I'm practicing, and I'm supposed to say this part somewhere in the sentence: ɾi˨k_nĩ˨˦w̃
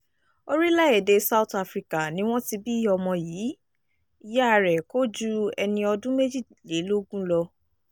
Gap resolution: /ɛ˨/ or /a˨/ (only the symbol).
a˨